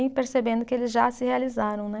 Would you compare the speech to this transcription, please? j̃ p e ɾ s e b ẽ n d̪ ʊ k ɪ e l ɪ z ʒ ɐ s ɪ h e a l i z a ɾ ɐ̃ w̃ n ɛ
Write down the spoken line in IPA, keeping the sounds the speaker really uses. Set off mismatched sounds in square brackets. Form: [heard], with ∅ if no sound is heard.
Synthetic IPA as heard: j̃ p e ɾ s e b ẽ n d̪ ʊ k ɪ e l ɪ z ʒ [a] s ɪ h e a l i z a ɾ ɐ̃ w̃ n ɛ